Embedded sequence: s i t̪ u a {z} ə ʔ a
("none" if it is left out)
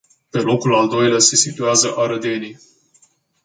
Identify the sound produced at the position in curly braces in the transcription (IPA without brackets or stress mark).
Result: z